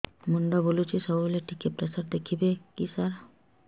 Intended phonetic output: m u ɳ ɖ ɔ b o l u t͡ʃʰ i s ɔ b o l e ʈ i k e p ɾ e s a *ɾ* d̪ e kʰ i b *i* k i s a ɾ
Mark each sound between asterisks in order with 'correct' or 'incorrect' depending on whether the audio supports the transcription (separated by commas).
correct, incorrect